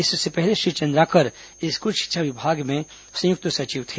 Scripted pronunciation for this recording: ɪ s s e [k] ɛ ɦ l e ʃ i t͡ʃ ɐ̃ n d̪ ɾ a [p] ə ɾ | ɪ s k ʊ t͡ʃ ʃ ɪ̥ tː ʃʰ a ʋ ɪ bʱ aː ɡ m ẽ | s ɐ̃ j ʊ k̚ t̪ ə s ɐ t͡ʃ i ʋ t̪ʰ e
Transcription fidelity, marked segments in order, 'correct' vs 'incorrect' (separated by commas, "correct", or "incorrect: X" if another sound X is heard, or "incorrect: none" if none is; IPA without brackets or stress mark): incorrect: p, incorrect: k